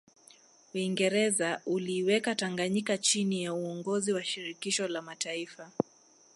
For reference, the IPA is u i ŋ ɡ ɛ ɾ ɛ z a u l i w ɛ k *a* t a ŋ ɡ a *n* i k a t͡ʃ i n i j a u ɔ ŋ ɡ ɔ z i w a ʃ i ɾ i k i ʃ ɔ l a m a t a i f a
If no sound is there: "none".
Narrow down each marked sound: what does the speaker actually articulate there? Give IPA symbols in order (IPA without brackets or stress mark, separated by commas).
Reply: a, ɲ